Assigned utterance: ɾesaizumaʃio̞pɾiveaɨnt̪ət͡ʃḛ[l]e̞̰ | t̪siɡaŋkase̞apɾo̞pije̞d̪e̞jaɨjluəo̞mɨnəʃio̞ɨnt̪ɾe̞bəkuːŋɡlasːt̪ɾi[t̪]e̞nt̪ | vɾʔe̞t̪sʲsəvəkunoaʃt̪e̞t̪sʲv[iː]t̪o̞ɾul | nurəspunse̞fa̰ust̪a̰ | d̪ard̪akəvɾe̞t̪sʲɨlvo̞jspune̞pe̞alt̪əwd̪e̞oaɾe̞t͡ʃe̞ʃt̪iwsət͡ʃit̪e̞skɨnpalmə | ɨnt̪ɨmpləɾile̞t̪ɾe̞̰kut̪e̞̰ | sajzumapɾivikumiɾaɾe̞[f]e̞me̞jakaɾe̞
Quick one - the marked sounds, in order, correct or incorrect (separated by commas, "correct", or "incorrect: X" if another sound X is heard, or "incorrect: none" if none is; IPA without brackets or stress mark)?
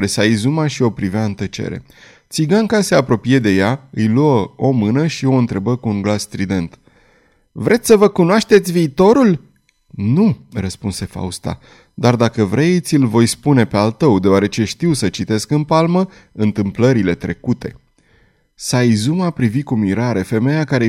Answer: incorrect: ɾ, incorrect: d̪, correct, correct